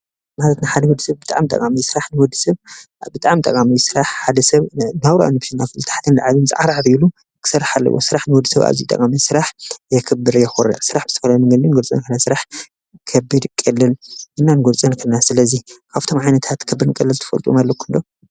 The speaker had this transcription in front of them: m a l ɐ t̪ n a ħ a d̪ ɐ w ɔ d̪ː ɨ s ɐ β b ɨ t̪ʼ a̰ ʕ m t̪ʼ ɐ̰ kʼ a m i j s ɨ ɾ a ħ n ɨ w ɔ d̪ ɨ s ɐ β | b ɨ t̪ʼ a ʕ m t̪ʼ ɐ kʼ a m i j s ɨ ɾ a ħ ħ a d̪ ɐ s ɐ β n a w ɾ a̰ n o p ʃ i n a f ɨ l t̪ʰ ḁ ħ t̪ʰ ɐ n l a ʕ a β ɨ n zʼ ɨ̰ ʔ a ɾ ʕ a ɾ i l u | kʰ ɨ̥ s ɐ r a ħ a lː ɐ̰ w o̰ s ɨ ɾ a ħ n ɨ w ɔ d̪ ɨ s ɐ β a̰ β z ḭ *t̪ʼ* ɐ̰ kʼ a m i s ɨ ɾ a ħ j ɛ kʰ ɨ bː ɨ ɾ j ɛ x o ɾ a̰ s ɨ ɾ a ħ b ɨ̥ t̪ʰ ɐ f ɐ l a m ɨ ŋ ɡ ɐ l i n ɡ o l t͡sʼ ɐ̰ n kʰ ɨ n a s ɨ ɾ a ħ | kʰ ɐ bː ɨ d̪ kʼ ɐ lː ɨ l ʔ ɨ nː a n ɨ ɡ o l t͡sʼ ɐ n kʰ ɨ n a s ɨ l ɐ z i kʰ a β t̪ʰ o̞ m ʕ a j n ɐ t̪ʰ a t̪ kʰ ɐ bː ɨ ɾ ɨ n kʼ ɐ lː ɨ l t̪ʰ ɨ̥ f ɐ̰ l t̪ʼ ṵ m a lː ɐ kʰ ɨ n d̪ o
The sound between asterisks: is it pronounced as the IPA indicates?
yes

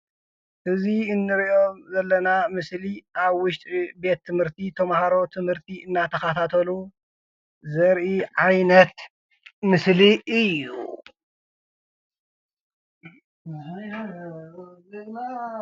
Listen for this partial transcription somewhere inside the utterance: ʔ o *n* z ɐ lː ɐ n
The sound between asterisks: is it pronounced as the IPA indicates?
no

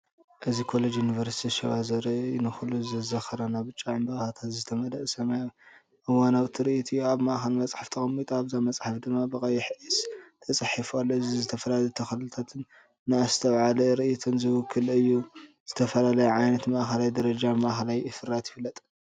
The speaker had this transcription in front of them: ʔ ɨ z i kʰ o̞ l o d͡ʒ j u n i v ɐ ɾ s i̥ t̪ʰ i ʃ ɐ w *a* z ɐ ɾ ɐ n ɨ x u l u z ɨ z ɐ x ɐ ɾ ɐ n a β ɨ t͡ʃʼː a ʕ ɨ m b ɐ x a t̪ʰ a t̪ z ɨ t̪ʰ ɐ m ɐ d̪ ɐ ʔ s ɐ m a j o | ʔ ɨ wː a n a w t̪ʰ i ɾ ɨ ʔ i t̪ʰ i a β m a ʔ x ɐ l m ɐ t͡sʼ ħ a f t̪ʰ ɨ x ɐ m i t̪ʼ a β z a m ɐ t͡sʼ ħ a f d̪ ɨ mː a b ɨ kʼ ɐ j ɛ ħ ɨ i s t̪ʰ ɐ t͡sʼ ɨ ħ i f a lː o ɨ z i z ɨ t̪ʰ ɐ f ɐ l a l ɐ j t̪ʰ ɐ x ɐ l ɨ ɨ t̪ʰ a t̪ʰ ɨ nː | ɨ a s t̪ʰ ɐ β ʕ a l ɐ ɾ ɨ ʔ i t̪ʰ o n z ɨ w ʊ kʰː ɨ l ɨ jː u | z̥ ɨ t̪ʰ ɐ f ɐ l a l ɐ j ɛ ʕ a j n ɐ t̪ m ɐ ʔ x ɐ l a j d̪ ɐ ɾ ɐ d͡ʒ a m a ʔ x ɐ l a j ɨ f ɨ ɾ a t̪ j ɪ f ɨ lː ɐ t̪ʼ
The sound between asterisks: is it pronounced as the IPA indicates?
yes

